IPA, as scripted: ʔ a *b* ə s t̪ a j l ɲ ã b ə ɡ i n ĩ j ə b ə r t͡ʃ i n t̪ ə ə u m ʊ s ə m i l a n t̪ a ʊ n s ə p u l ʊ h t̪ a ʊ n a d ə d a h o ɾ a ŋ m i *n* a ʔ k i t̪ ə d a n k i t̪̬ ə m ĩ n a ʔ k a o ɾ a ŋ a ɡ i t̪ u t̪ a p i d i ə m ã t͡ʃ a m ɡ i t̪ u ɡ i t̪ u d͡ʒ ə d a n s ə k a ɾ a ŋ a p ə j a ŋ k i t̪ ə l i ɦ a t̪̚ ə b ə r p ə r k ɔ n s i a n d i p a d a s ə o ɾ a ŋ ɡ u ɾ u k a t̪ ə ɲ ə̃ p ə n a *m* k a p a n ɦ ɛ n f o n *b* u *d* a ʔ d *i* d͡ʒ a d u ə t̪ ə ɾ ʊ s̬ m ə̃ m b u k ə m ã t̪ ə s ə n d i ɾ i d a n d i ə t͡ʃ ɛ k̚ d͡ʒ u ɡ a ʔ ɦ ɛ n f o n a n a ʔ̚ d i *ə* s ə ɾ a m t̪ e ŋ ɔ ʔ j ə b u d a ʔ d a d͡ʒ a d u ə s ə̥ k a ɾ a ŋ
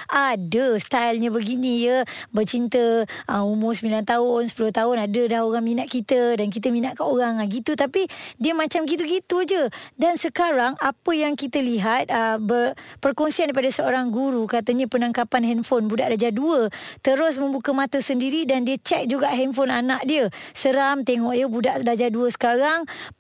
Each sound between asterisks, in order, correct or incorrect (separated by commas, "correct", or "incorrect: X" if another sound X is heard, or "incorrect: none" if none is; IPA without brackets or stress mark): incorrect: d, correct, incorrect: ŋ, correct, correct, incorrect: a, correct